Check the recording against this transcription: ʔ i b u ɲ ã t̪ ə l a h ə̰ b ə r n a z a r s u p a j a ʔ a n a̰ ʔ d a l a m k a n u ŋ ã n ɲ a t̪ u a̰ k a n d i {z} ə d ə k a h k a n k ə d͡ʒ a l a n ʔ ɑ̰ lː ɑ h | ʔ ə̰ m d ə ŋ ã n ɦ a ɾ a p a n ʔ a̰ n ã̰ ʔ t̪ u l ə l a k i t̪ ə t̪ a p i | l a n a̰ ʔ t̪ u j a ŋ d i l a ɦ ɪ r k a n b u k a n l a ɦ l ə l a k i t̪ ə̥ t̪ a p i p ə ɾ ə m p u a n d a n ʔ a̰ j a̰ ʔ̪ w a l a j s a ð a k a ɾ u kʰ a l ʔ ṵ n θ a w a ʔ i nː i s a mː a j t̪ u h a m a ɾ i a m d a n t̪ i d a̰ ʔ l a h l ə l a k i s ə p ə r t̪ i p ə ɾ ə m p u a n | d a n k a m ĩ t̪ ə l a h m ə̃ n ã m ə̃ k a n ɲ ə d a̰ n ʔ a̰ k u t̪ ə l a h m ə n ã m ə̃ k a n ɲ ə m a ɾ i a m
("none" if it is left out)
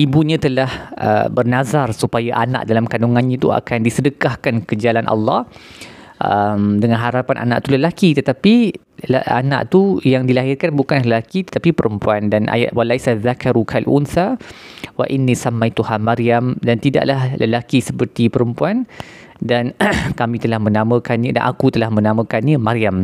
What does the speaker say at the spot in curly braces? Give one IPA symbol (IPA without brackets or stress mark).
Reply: s